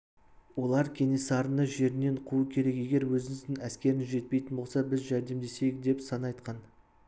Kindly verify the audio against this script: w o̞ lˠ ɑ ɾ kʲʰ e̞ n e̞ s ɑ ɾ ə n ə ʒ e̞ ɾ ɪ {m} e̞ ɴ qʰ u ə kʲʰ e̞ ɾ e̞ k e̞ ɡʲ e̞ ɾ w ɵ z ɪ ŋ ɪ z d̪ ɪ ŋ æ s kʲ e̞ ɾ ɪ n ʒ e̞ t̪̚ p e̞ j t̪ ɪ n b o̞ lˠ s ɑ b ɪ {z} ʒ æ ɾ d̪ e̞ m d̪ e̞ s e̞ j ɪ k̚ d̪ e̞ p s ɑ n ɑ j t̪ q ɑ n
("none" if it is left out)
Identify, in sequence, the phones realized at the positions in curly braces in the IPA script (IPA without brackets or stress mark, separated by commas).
n, z